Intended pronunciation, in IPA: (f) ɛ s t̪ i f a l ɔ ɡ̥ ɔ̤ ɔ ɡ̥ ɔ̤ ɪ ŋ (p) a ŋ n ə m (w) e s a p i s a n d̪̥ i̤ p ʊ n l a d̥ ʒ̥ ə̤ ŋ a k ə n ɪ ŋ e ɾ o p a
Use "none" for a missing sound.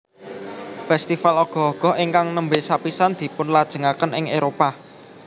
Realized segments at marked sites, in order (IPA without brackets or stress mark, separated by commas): f, k, b